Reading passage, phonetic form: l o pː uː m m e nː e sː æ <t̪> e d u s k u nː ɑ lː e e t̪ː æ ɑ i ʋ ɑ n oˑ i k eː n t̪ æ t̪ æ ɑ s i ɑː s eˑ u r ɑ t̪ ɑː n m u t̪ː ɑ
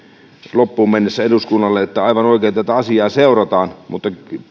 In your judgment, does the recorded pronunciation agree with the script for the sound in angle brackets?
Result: no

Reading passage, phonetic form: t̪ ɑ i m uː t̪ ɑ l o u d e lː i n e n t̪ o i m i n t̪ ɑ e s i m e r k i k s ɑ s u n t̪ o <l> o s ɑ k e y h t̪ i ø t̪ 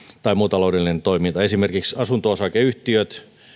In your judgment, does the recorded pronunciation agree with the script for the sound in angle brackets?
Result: no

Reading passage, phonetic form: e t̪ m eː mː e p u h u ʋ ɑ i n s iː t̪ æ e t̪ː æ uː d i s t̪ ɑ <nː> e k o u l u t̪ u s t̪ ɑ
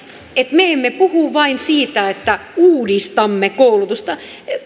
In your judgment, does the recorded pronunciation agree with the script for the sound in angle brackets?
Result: no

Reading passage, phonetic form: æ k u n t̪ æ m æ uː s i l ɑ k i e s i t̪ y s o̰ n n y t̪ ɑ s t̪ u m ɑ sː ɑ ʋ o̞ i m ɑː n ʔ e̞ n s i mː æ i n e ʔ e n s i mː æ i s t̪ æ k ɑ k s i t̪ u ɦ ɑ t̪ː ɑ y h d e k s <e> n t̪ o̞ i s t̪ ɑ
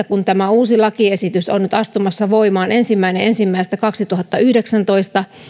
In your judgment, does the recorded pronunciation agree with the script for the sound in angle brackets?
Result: no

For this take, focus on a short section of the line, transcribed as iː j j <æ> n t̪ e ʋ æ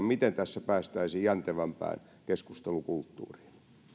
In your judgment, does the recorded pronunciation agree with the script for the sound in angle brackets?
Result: yes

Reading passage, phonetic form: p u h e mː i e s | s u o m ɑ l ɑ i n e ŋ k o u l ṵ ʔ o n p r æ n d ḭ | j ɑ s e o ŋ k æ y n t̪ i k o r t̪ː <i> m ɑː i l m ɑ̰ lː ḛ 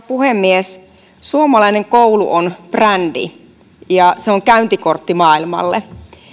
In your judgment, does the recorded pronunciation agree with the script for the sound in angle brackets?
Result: yes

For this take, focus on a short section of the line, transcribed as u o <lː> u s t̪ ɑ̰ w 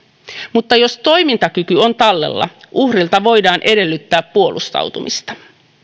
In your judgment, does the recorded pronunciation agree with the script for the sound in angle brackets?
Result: no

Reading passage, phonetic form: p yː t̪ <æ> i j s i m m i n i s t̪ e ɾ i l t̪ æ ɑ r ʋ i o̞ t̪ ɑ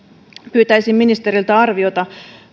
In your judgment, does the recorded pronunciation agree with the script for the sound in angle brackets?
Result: yes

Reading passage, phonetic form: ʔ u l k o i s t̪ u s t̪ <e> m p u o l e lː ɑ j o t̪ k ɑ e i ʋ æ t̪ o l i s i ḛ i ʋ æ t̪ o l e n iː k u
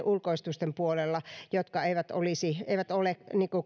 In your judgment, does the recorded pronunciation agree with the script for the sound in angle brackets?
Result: yes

